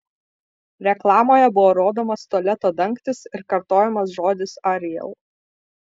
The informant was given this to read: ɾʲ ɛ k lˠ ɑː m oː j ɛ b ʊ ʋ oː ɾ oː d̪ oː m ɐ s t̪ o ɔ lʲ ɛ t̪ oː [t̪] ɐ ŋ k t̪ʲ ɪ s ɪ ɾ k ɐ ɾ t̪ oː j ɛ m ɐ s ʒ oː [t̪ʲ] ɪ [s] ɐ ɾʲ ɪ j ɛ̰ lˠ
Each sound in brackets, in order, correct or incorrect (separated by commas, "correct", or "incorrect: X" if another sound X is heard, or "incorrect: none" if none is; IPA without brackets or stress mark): incorrect: d̪, incorrect: d̪ʲ, correct